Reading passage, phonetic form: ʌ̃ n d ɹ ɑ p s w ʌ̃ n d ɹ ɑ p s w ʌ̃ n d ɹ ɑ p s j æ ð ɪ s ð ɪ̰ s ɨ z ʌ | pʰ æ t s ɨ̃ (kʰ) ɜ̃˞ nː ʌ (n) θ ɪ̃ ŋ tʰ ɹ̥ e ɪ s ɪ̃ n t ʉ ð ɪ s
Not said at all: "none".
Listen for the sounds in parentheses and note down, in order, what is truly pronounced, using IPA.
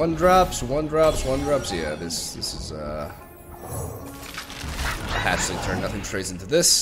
tʰ, none

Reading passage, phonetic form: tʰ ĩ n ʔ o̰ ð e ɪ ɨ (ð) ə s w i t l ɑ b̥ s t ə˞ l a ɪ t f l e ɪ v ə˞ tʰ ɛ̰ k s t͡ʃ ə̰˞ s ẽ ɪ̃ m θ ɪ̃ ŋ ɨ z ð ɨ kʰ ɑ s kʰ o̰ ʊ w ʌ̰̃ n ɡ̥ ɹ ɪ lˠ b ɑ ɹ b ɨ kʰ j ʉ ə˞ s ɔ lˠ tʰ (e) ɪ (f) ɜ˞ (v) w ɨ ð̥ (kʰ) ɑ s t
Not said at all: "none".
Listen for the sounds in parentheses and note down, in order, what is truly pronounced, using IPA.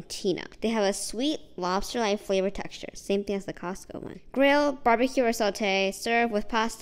v, e, s, v, pʰ

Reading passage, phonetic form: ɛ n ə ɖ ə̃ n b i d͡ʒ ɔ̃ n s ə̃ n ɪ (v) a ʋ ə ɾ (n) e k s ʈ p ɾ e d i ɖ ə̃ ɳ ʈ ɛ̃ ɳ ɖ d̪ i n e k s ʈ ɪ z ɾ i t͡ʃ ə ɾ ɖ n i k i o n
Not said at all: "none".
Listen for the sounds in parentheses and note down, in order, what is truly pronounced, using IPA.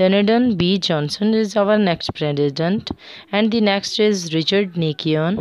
z, n

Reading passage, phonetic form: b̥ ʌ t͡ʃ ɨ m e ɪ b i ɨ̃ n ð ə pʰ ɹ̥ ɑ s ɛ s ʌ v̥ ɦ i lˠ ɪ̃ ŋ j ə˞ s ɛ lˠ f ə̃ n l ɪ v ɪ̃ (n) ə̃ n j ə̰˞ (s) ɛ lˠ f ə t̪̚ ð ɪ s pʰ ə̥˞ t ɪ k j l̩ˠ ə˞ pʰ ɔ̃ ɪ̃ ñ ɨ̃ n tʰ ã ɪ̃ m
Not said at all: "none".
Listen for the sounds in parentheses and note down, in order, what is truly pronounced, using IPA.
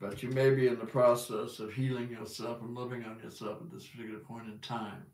ŋ, s

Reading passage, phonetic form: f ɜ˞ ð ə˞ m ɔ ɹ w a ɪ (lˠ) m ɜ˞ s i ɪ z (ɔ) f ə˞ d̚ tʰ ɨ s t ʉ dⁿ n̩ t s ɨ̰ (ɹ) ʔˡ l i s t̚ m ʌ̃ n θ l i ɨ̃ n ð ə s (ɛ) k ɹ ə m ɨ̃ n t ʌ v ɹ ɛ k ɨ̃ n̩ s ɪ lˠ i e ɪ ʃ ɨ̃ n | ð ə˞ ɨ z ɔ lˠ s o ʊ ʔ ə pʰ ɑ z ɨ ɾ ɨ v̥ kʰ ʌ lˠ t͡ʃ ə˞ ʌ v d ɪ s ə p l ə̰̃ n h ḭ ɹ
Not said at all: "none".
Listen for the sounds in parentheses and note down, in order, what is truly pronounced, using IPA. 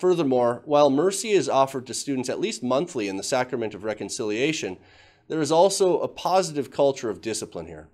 lˠ, ɔ, none, æ

